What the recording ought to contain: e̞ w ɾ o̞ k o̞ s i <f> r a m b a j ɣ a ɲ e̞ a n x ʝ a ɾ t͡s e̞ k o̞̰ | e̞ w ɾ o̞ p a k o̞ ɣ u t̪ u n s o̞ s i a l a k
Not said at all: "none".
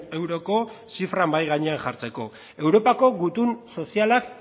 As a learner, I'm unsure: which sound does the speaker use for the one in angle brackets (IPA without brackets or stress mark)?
f